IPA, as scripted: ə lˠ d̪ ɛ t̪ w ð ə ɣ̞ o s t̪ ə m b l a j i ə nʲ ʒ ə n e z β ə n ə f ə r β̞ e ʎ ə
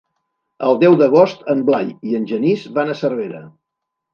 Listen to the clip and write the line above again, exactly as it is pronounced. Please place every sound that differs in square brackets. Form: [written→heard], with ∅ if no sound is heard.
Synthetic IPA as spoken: ə lˠ d̪ ɛ [t̪→∅] w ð ə ɣ̞ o s t̪ ə m b l a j i ə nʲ ʒ ə n [e→i] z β [ə→a] n ə [f→s] ə r β̞ e [ʎ→ɾ] ə